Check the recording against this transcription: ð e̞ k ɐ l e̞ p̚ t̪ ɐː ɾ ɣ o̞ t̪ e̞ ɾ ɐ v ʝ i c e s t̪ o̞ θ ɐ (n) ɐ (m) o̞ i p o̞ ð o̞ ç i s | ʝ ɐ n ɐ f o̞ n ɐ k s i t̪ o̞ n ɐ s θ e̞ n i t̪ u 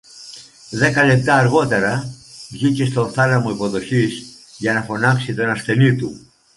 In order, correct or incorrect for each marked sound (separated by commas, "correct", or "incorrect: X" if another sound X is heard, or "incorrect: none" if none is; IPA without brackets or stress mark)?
correct, correct